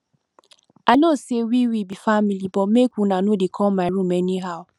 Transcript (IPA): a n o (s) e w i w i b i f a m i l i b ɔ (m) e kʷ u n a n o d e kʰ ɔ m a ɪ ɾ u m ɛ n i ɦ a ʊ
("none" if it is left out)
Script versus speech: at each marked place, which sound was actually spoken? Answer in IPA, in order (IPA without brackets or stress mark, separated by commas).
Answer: s, m